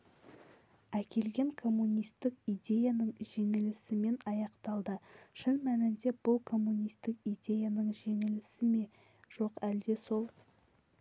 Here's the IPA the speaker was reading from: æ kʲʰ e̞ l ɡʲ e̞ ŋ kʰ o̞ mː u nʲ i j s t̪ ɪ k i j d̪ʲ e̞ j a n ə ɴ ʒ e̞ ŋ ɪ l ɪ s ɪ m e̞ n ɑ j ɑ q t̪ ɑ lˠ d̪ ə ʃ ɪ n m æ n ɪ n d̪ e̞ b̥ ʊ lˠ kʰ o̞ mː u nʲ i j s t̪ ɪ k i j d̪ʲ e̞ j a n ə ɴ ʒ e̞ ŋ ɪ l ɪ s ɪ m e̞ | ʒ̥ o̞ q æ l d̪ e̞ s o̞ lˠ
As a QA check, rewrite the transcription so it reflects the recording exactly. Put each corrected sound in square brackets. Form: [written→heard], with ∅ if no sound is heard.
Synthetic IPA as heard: æ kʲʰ e̞ l ɡʲ e̞ ŋ kʰ o̞ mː u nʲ i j s t̪ ɪ k i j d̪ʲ e̞ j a n ə ɴ ʒ e̞ ŋ ɪ l ɪ s ɪ m e̞ n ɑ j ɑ q t̪ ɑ lˠ d̪ ə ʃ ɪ n m æ n ɪ n d̪ e̞ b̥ ʊ lˠ kʰ o̞ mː u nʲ i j s t̪ ɪ k i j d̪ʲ e̞ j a n ə ɴ ʒ e̞ ŋ ɪ l ɪ s ɪ m e̞ | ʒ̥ o̞ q æ l d̪ e̞ s o̞ lˠ